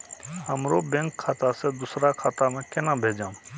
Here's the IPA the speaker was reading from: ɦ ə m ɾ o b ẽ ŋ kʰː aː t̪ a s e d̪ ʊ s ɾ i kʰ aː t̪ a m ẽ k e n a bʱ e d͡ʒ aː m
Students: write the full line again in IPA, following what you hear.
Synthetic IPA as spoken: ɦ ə m ɾ o b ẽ ŋ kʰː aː t̪ a s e d̪ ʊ s ɾ a kʰ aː t̪ a m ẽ k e n a bʱ e d͡ʒ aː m